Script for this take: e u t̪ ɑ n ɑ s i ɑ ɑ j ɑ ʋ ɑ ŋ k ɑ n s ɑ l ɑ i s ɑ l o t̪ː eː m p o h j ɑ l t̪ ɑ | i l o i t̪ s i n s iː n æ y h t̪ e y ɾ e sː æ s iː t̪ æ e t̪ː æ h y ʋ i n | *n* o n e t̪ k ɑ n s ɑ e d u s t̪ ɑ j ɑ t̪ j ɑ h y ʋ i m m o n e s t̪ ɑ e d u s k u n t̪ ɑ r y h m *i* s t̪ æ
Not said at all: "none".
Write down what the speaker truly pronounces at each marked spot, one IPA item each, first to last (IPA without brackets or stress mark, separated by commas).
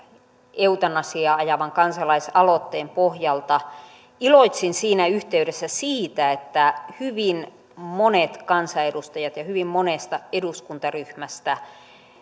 m, æ